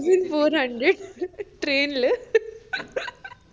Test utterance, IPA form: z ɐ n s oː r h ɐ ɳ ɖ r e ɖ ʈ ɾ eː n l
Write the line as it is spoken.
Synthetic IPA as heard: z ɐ n f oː ɾ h ɐ ɳ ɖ ɾ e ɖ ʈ ɾ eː n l